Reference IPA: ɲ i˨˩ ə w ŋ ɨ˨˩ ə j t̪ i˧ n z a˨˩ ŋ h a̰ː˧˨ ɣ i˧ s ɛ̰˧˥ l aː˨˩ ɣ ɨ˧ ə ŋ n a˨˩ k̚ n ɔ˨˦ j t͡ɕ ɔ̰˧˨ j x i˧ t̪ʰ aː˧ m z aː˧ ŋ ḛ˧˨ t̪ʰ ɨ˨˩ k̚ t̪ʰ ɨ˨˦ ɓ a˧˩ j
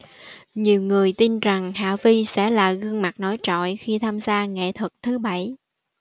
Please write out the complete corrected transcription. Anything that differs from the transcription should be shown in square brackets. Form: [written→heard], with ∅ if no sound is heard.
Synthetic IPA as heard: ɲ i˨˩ ə w ŋ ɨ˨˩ ə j t̪ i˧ n z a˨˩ ŋ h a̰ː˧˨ [ɣ→v] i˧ s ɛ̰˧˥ l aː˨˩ ɣ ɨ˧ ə ŋ [n→m] a˨˩ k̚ n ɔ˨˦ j t͡ɕ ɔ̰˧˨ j x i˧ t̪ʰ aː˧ m z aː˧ ŋ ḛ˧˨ t̪ʰ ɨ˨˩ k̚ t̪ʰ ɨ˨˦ ɓ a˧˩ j